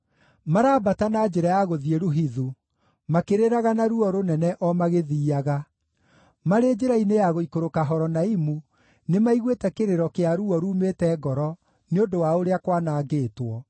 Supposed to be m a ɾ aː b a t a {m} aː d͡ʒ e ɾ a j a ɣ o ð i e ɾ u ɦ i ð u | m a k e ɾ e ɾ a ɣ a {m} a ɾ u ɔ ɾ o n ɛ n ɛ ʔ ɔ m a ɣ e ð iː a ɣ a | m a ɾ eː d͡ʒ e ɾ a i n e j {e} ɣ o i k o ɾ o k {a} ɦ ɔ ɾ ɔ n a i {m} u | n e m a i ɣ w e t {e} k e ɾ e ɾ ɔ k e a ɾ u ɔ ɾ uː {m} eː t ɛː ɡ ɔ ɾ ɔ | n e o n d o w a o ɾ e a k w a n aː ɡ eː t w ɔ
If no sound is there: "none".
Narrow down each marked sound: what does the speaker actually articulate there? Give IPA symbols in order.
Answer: n, n, a, a, m, ɛ, m

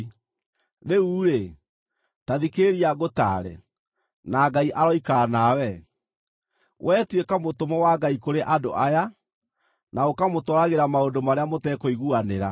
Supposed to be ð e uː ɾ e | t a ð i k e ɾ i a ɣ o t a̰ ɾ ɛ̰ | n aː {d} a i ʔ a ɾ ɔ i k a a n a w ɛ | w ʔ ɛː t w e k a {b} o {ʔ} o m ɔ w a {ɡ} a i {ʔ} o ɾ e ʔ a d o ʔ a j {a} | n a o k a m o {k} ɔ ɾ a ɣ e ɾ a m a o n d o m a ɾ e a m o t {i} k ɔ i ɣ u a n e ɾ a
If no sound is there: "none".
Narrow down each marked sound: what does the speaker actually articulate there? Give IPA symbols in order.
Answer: ɡ, m, t, ɡ, k, a, t, ɛ

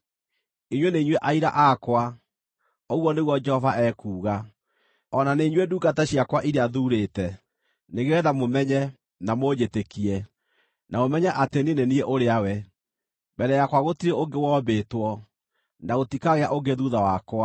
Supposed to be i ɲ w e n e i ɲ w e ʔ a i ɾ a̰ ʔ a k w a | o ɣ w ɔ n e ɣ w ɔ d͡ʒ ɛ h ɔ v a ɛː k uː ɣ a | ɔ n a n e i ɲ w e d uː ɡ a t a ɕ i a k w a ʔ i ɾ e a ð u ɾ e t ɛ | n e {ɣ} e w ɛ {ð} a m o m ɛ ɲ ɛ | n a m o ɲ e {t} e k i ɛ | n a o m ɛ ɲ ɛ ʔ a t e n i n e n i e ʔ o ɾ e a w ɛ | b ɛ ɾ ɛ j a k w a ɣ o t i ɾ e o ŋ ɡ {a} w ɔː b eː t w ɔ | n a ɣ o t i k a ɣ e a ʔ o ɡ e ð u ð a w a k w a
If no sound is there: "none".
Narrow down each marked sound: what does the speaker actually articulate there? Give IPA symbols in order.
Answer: ɣ, ð, t, e

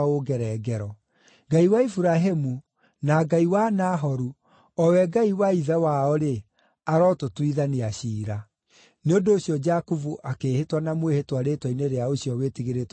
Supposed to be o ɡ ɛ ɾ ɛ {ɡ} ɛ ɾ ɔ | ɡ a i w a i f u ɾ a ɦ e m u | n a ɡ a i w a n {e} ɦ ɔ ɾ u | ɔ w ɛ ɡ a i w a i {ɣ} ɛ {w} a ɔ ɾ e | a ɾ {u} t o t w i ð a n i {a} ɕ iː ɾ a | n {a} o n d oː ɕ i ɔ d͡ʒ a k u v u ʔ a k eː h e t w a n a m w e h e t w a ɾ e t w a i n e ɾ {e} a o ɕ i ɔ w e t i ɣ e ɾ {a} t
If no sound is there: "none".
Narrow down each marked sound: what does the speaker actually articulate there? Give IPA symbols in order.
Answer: ɡ, a, ð, w, ɔ, a, e, e, e

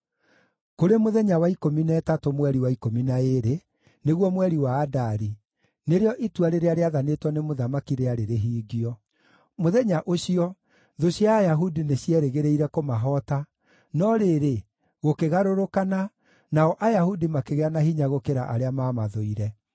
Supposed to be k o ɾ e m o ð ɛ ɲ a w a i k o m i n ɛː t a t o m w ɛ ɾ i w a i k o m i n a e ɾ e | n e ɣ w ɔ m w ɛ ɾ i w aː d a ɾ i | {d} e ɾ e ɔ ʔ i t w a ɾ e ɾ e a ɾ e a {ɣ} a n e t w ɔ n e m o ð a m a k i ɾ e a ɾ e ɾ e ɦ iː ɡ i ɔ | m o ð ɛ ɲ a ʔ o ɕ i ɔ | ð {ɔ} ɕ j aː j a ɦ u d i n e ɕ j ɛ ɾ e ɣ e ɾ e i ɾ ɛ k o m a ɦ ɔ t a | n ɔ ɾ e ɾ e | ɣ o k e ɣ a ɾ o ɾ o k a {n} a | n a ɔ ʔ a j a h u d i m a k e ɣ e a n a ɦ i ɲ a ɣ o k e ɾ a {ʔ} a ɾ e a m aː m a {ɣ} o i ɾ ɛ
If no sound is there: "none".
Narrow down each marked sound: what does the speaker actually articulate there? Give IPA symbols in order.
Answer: n, ð, o, n, ʔ, ð

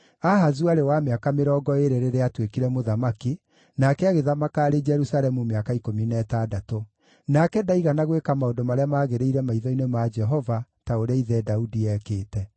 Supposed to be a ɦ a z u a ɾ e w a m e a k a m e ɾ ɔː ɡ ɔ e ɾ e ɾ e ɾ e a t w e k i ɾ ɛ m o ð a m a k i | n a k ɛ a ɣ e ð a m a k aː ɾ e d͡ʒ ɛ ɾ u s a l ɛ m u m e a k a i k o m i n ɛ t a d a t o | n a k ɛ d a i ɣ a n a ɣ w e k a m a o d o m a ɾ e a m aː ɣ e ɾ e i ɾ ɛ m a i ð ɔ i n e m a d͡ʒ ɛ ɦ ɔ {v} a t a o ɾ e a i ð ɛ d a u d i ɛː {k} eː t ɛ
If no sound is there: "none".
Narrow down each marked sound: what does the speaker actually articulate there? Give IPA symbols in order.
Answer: v, k

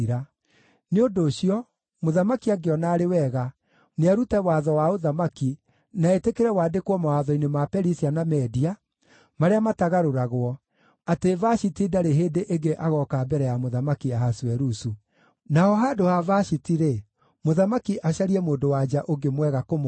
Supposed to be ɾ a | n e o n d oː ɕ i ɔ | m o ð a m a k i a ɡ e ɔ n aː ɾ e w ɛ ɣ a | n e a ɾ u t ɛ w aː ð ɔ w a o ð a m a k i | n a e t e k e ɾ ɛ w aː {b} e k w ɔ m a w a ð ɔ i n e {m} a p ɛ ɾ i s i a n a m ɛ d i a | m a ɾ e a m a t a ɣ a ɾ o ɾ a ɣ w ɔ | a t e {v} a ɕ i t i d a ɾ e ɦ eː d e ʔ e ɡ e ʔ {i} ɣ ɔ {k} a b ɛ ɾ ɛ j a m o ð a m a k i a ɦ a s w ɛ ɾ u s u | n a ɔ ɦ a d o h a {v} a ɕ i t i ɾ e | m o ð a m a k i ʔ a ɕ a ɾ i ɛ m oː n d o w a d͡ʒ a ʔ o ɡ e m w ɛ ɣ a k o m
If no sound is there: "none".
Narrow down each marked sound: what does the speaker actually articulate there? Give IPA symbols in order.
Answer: d, m, v, a, k, v

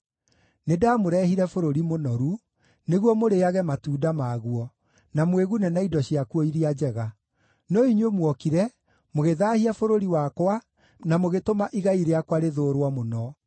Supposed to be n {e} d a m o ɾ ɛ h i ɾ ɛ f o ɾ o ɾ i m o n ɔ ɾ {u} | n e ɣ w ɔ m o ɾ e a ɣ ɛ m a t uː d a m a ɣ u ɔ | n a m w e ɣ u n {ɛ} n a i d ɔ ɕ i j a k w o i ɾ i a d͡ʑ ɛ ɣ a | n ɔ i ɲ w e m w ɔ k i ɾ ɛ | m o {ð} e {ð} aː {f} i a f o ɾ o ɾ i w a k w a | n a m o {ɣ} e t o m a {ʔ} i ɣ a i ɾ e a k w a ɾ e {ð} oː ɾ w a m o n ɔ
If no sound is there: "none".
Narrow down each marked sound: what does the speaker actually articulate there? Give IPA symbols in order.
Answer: e, u, ɛ, ɣ, ð, h, ɣ, ʔ, ð

